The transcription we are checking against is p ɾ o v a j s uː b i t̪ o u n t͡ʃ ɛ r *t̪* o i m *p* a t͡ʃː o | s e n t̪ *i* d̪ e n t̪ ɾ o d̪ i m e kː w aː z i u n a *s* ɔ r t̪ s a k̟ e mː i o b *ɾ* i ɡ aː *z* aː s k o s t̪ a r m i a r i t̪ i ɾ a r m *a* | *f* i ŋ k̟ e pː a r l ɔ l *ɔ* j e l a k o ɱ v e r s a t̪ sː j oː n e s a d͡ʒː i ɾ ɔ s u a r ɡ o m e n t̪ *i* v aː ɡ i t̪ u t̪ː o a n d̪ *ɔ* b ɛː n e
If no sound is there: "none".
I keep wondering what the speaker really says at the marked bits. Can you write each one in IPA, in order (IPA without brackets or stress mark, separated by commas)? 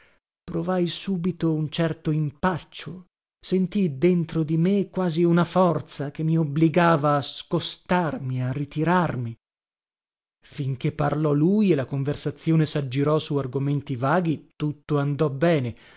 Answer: t̪, p, i, f, l, v, i, f, u, i, ɔ